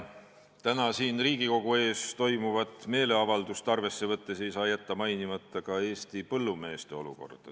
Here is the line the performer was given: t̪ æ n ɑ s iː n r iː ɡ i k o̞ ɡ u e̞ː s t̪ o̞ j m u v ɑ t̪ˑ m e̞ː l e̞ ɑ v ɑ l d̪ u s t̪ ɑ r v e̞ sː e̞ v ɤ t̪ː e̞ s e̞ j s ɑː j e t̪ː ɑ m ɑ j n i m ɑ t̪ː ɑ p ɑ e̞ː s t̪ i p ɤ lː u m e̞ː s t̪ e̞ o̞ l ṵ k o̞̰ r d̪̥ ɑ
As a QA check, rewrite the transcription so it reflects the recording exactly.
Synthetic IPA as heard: t̪ æ n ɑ s iː n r iː ɡ i k o̞ ɡ u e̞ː s t̪ o̞ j m u v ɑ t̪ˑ m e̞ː l e̞ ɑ v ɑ l d̪ u s t̪ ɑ r v e̞ sː e̞ v ɤ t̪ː e̞ s e̞ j s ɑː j æ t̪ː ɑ m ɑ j n i m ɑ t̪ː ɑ k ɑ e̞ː s t̪ i p ɤ lː u m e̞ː s t̪ e̞ o̞ l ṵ k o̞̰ r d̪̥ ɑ